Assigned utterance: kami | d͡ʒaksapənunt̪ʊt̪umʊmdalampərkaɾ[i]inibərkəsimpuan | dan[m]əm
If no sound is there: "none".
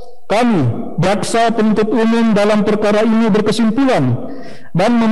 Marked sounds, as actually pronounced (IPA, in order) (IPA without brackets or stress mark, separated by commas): a, m